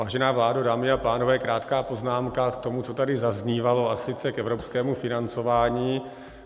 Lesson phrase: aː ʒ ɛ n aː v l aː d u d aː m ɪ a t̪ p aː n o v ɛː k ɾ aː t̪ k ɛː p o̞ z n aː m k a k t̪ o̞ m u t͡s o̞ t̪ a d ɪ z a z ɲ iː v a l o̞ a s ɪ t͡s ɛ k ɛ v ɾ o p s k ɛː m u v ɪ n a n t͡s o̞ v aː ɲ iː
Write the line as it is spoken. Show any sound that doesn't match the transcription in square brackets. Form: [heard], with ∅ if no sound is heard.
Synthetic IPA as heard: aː ʒ ɛ n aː v l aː d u d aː m ɪ a [∅] p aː n o v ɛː k ɾ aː t̪ k [aː] p o̞ z n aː m k a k t̪ o̞ m u t͡s o̞ t̪ a d ɪ z a z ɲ iː v a l o̞ a s ɪ t͡s ɛ k ɛ v ɾ o p s k ɛː m u [f] ɪ n a n t͡s o̞ v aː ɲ iː